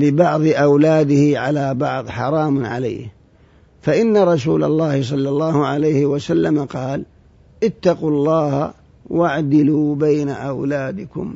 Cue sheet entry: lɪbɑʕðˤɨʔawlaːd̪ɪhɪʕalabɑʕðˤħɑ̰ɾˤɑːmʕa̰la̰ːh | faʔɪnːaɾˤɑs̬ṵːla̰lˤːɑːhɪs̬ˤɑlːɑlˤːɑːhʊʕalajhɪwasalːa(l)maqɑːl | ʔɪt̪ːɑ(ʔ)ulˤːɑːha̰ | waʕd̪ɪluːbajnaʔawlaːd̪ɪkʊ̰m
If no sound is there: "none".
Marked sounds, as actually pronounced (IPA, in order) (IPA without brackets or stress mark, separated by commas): none, q